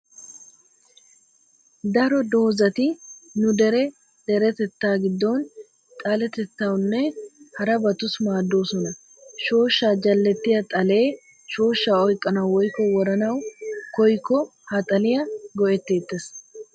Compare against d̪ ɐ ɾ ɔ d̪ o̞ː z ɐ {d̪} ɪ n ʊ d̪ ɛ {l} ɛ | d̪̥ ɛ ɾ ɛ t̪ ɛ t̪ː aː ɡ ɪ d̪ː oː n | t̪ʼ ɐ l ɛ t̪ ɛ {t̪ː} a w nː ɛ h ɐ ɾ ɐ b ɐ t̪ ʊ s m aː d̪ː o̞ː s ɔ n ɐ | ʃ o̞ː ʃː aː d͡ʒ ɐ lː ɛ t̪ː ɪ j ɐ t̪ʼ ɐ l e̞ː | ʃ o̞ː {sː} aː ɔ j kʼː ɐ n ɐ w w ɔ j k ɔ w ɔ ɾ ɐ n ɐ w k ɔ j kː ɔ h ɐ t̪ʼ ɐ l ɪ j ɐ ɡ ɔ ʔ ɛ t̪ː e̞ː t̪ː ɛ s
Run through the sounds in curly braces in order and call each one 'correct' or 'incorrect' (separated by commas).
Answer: incorrect, incorrect, correct, incorrect